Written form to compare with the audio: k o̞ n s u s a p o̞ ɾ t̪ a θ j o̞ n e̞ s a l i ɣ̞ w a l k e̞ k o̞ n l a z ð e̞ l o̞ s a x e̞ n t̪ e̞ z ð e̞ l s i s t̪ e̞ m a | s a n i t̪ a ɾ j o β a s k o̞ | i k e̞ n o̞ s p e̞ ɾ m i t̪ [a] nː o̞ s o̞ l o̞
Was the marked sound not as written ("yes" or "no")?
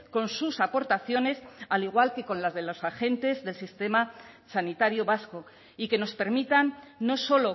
no